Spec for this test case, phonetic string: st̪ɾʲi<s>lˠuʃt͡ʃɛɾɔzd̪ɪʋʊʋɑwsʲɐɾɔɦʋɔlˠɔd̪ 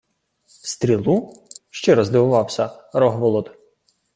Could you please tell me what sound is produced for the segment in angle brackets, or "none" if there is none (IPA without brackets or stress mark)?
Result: none